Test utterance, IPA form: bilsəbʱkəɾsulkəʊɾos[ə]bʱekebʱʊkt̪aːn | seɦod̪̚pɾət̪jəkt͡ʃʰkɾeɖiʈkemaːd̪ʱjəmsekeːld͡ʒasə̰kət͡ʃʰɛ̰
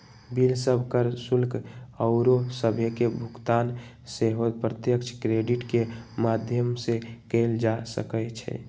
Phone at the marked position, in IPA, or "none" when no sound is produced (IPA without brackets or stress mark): ə